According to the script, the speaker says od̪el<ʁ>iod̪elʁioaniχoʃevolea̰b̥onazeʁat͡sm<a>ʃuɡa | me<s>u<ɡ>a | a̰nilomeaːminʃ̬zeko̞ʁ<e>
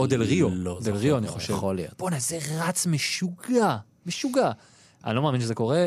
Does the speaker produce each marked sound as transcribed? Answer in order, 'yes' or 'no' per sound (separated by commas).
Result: yes, no, no, yes, yes